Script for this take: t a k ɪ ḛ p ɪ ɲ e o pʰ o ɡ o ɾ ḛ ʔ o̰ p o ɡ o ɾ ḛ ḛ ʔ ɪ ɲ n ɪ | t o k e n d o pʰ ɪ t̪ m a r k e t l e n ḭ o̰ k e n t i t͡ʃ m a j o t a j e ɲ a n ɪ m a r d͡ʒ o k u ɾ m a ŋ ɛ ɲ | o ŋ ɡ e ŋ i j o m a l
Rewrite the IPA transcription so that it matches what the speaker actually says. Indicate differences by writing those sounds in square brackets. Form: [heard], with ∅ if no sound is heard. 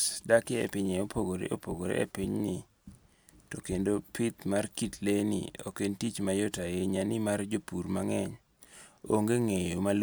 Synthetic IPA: [d] a k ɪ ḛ p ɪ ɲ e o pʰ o ɡ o ɾ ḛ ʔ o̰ p o ɡ o ɾ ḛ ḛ [p] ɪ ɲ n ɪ | t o k e n d o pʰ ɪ t̪ m a r k [i] t l e n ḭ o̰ k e n t i t͡ʃ m a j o t a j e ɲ a n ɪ m a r d͡ʒ o [p] u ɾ m a ŋ ɛ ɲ | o ŋ ɡ e ŋ [e] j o m a l